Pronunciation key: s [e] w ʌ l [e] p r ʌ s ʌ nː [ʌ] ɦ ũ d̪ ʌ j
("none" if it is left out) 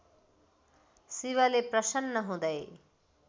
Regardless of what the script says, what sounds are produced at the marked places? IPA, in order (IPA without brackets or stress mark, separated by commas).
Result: i, e, ʌ